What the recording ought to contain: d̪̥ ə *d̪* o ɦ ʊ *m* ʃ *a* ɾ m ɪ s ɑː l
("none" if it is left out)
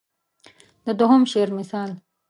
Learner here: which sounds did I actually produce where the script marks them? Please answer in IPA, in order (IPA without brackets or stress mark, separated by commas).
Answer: d̪, m, e